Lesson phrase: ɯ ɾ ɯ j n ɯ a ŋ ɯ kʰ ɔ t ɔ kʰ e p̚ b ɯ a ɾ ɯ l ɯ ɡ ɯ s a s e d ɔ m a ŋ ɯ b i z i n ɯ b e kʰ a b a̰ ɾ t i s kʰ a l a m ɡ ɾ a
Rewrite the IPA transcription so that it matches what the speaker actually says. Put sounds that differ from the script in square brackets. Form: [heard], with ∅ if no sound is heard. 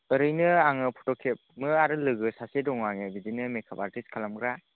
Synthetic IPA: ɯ ɾ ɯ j n ɯ a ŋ ɯ [pʰ] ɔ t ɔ kʰ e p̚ [m] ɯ a ɾ ɯ l ɯ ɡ ɯ s a s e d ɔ [ŋ] a ŋ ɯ b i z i n ɯ [m] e kʰ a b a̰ ɾ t i s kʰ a l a m ɡ ɾ a